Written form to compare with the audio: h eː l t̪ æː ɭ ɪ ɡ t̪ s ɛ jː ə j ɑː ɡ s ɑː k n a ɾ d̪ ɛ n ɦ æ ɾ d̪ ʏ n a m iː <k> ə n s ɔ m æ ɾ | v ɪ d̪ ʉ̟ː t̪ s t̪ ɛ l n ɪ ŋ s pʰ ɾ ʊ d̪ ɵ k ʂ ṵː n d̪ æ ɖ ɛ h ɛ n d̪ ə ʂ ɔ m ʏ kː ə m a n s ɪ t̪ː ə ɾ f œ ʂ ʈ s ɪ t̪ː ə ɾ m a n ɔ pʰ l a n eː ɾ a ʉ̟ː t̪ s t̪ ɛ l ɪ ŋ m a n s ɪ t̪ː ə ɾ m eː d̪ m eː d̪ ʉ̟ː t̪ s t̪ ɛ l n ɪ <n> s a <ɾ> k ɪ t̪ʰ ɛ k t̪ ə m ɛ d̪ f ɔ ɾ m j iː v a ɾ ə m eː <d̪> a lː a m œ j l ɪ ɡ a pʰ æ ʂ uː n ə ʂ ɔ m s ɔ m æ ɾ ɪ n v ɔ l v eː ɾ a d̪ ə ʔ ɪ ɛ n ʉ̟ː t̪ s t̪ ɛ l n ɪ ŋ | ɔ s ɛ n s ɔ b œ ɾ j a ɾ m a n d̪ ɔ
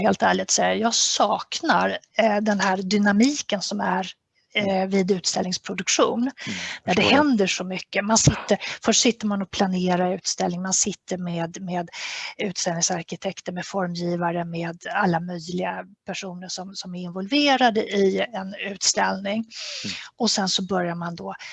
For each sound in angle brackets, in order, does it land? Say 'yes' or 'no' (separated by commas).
yes, no, yes, yes